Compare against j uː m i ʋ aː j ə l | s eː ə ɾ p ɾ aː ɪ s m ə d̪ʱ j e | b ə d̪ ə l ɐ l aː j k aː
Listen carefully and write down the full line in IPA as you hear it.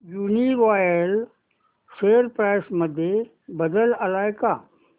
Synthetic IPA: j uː n i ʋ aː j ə l | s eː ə ɾ p ɾ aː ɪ s m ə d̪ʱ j e | b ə d̪ ə l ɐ l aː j k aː